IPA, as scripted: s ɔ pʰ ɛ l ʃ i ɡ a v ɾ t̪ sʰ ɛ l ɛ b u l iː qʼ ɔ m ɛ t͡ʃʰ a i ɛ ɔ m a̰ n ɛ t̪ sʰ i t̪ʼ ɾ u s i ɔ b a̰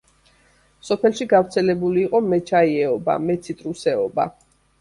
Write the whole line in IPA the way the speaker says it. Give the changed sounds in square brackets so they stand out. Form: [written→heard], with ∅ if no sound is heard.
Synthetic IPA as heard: s ɔ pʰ ɛ l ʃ i ɡ a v ɾ t̪ sʰ ɛ l ɛ b u l iː qʼ ɔ m ɛ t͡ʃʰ a i ɛ ɔ [m→b] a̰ [n→m] ɛ t̪ sʰ i t̪ʼ ɾ u s [i→ɛ] ɔ b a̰